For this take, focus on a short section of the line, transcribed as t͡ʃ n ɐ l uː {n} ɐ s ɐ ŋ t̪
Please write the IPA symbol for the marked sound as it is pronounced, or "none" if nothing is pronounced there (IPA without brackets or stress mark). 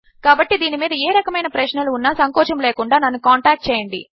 nː